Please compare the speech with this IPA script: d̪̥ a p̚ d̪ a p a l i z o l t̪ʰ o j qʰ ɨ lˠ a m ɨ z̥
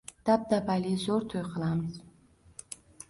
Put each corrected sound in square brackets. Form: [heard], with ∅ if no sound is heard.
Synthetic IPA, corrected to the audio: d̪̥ a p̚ d̪ a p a l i z o [ɾ] t̪ʰ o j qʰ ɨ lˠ a m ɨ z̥